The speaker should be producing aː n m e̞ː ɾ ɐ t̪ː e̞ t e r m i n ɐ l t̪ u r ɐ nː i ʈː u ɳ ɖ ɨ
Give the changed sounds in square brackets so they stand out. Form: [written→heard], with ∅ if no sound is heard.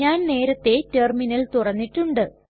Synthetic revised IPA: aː n [m→n] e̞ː ɾ ɐ t̪ː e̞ t e r m i n ɐ l t̪ u r ɐ nː i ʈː u ɳ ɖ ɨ